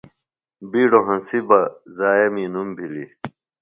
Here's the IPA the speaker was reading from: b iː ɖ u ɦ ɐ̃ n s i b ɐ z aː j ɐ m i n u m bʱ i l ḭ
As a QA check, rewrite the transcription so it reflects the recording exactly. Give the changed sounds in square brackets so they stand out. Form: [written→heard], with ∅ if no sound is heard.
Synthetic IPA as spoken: b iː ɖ [u→o] ɦ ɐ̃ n s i b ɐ z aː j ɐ m i n u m bʱ i l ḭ